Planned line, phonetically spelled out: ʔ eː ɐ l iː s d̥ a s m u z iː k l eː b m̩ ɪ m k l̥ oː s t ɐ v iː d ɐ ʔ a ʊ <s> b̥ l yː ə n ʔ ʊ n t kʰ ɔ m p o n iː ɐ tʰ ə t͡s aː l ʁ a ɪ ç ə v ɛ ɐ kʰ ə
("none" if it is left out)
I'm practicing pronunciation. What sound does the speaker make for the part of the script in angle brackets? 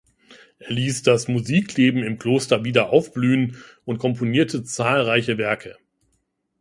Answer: f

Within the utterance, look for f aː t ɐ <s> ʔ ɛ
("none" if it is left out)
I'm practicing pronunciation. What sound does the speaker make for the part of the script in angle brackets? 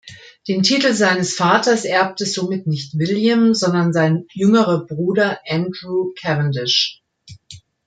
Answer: s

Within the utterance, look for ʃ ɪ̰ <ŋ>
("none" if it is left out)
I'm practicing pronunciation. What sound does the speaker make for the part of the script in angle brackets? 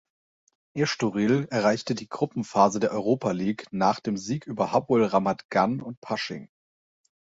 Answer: ŋ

